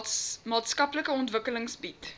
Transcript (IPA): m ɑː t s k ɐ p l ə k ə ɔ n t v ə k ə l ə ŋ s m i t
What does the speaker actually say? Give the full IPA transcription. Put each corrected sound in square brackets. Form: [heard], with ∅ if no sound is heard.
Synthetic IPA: m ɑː t s k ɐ p l ə k ə ɔ n t v ə k ə l ə ŋ s [b] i t